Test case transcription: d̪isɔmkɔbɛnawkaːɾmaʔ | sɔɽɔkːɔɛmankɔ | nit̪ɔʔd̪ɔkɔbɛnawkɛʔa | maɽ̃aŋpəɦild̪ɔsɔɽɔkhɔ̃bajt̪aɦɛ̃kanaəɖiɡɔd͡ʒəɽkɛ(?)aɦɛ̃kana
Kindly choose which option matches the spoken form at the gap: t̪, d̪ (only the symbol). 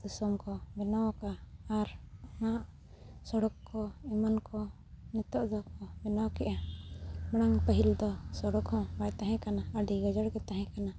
t̪